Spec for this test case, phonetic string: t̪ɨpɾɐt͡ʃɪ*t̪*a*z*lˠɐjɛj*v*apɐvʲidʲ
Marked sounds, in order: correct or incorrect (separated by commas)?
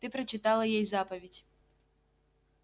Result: correct, incorrect, incorrect